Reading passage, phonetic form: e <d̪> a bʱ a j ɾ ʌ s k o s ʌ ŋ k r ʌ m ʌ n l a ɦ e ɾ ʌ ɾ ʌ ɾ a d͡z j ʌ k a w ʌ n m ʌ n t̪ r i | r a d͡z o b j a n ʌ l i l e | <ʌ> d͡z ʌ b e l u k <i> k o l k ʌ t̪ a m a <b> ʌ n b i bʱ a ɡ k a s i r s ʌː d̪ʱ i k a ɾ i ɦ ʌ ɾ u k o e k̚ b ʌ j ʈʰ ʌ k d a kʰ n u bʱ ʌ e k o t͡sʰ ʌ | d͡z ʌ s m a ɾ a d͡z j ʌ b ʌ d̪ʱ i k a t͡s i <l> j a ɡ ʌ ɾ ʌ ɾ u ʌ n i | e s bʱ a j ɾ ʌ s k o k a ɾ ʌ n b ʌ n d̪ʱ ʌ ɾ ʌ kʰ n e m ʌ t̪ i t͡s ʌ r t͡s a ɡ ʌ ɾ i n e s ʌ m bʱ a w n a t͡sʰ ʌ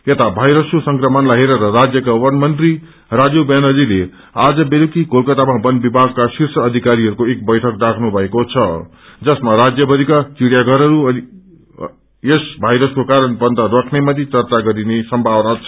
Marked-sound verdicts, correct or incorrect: incorrect: t̪, incorrect: a, correct, correct, incorrect: ɽ

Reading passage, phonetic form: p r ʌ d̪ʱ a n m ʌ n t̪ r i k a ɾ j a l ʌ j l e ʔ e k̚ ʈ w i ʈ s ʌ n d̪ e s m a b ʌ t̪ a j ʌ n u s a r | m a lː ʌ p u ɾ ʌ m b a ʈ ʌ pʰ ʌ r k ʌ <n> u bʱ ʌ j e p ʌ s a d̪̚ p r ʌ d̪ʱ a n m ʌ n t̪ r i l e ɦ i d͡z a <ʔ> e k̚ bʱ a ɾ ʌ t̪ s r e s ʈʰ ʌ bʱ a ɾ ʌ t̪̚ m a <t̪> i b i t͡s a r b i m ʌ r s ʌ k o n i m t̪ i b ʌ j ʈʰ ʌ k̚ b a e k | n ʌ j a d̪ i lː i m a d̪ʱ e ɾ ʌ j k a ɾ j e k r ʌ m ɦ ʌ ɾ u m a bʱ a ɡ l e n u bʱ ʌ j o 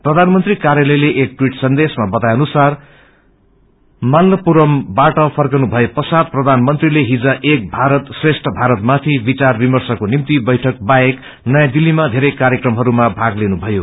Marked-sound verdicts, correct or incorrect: correct, correct, incorrect: t̪ʰ

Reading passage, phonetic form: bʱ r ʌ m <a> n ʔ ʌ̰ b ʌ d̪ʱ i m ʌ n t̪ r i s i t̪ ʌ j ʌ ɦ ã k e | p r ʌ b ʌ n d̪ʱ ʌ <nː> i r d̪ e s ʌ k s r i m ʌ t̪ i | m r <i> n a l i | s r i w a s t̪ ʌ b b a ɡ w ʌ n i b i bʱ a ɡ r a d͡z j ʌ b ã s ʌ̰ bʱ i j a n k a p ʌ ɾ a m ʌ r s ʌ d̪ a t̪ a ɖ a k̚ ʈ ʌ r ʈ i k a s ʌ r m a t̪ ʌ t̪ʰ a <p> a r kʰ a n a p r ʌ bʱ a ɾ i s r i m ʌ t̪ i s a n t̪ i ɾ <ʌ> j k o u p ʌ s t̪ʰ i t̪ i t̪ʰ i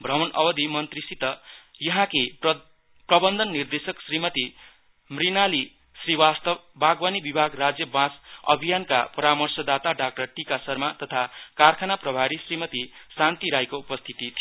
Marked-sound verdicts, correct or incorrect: incorrect: ʌ, correct, correct, incorrect: k, incorrect: a

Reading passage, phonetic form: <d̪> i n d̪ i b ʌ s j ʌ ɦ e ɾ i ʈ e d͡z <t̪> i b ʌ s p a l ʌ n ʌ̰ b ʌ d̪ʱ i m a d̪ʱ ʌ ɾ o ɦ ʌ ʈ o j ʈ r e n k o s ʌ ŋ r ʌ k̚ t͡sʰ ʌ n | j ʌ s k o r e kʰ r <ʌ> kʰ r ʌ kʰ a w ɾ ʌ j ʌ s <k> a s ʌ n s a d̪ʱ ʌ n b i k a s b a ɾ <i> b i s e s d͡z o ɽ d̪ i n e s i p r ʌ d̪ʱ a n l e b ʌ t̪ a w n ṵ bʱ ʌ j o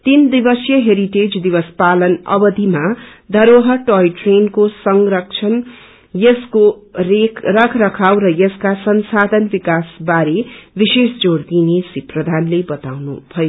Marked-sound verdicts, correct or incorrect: incorrect: t̪, incorrect: d̪, correct, correct, incorrect: e

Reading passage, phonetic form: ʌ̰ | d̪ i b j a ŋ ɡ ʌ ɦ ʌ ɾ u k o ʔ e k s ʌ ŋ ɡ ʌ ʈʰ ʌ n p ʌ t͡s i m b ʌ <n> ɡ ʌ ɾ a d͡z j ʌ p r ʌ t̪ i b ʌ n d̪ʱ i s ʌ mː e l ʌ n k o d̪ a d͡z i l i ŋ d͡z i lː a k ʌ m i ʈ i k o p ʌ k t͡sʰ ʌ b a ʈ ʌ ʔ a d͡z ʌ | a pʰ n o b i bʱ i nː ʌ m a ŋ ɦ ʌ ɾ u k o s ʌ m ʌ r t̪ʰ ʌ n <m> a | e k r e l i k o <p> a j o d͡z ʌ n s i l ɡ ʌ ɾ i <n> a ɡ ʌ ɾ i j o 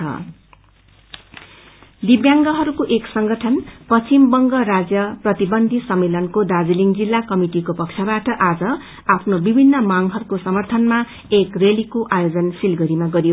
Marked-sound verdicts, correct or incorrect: incorrect: ŋ, correct, incorrect: ʔ, incorrect: m

